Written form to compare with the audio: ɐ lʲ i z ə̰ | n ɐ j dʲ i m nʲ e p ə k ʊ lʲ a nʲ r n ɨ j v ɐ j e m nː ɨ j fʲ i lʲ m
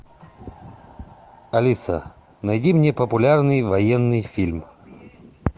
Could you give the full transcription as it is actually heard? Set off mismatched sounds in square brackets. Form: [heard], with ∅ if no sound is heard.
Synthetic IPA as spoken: ɐ lʲ i [s] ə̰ | n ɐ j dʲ i m nʲ e p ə [p] ʊ lʲ a [∅] r n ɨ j v ɐ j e [∅] nː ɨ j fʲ i lʲ m